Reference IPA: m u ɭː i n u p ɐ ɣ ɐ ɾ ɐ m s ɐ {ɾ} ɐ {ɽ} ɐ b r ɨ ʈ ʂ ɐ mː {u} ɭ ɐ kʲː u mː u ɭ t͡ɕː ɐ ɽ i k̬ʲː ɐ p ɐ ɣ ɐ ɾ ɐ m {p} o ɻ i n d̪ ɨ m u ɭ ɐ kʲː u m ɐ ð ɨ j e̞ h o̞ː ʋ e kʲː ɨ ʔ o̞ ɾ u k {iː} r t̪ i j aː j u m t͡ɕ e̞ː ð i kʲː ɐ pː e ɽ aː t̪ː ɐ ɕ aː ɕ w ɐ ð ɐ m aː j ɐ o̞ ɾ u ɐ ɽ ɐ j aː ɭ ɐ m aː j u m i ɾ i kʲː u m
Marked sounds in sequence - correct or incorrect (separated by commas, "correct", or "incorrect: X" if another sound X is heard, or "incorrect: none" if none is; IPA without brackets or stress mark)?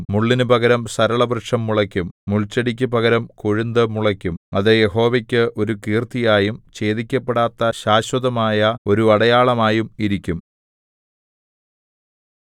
correct, incorrect: ɭ, correct, incorrect: k, correct